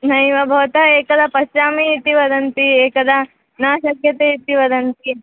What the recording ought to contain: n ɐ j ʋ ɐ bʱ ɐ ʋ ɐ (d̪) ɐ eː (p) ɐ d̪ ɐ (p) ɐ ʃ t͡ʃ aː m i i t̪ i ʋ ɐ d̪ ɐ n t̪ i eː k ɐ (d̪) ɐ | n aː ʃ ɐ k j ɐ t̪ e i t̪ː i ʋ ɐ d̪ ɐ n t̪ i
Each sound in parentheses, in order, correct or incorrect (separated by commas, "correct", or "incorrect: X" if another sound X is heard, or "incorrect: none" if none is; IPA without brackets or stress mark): incorrect: t̪, incorrect: k, correct, correct